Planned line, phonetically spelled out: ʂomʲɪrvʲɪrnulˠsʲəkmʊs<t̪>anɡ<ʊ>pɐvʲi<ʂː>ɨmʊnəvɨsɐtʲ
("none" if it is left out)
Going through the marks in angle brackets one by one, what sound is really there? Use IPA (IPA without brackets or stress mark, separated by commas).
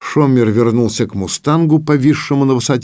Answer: t̪, ʊ, ʂː